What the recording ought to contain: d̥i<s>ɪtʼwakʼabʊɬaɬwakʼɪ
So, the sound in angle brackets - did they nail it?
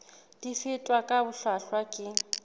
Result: no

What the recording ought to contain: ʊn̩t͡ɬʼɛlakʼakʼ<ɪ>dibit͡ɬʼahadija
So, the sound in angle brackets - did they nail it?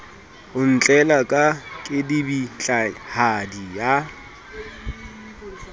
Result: yes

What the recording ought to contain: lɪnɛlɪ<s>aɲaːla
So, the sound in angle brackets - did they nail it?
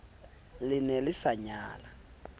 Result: yes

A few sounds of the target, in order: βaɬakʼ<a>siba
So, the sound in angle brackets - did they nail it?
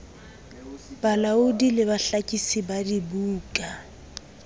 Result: no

